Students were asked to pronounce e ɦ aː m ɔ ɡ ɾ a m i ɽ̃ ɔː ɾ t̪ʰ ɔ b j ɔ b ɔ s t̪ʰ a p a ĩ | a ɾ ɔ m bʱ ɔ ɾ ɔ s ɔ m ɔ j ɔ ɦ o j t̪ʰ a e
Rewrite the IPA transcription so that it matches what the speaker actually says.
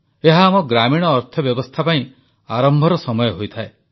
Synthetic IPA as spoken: e ɦ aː m ɔ ɡ ɾ a m i ɽ̃ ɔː ɾ t̪ʰ ɔ b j ɔ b ɔ s t̪ʰ a p a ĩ | a ɾ ɔ m bʱ ɔ ɾ ɔ s ɔ m ɔ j ɔ ɦ o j t̪ʰ a e

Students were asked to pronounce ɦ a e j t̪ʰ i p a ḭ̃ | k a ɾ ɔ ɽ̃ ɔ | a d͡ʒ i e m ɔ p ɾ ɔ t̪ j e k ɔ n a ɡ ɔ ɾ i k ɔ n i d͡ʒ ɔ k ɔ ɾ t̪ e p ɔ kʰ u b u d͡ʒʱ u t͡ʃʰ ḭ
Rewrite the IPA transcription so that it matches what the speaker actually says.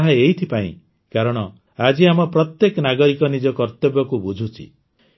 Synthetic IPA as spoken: ɦ a e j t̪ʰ i p a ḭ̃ | k a ɾ ɔ ɽ̃ ɔ | a d͡ʒ i a m ɔ p ɾ ɔ t̪ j e k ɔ n a ɡ ɔ ɾ i k ɔ n i d͡ʒ ɔ k ɔ ɾ t̪ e b ɔ k u b u d͡ʒʱ u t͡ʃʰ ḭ

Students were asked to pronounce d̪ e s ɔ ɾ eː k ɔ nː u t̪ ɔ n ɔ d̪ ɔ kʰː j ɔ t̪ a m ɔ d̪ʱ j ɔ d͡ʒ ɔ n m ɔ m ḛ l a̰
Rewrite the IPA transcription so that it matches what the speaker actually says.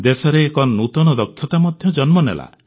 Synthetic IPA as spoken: d̪ e s ɔ ɾ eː k ɔ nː u t̪ ɔ n ɔ d̪ ɔ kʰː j ɔ t̪ a m ɔ d̪ʱ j ɔ d͡ʒ ɔ n m ɔ n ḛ l a̰

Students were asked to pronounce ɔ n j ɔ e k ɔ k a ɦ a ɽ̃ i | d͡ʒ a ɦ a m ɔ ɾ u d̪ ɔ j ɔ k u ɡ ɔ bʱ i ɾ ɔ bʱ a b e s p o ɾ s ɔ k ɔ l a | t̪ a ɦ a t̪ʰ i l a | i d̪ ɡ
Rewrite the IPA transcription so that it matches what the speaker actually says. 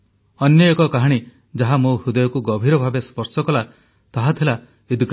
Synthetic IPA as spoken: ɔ n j ɔ e k ɔ k a ɦ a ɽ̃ i | d͡ʒ a ɦ a m o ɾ u d̪ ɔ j ɔ k u ɡ ɔ bʱ i ɾ ɔ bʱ a b e s p ɔ ɾ s ɔ k ɔ l a | t̪ a ɦ a t̪ʰ i l a | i d̪ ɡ

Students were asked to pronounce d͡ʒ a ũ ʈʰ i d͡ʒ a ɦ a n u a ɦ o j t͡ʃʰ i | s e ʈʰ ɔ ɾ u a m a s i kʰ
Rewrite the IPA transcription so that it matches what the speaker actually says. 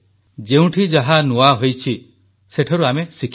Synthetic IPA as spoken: d͡ʒ e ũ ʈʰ i d͡ʒ a ɦ a n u a ɦ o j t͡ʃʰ i | s e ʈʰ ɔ ɾ u a m e s i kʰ

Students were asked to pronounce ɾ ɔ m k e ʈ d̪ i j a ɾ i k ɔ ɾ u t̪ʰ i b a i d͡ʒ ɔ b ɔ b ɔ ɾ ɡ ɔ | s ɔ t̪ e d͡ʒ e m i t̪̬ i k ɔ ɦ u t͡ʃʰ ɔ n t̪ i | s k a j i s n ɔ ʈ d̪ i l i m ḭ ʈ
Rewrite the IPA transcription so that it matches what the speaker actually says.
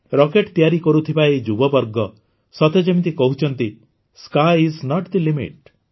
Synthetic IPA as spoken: ɾ ɔ k e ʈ t̪ i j a ɾ i k ɔ ɾ u t̪ʰ i b a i d͡ʒ u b ɔ b ɔ ɾ ɡ ɔ | s ɔ t̪ e d͡ʒ e m i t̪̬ i k ɔ ɦ u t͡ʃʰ ɔ n t̪ i | s k a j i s n ɔ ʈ d̪ i l i m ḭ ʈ

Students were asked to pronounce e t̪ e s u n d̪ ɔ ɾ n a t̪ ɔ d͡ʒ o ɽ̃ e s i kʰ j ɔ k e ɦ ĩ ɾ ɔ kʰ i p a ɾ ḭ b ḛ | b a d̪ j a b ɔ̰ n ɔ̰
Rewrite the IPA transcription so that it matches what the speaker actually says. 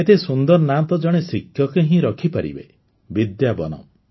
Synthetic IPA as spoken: e t̪ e s u n d̪ ɔ ɾ n a t̪ ɔ d͡ʒ ɔ ɽ̃ e s i kʰ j ɔ k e ɦ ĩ ɾ ɔ kʰ i p a ɾ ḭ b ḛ | b i d̪ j a b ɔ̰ n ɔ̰

